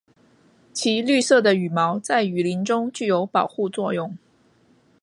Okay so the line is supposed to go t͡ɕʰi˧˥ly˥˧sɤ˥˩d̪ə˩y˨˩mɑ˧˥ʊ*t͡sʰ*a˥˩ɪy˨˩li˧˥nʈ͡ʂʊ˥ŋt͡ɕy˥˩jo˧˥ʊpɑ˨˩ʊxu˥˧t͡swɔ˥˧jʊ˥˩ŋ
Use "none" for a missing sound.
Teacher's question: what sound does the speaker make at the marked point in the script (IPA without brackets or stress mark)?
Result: t͡s